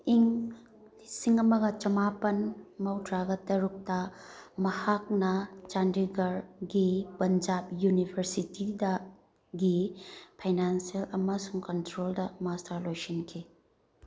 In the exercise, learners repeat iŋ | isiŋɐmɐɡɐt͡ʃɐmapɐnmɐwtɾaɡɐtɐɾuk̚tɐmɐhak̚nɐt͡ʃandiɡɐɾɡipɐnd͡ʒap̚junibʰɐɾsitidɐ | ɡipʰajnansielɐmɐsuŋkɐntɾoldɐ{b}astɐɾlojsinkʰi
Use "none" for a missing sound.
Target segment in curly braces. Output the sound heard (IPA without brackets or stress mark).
m